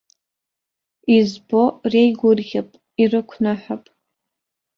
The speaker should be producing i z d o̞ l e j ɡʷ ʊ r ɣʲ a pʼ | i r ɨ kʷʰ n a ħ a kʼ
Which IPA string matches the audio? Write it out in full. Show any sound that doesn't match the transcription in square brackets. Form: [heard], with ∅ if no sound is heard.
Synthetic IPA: i z [b] o̞ [r] e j ɡʷ ʊ r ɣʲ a pʼ | i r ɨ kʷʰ n a ħ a [pʼ]